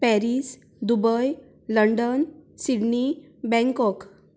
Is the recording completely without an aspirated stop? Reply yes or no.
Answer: yes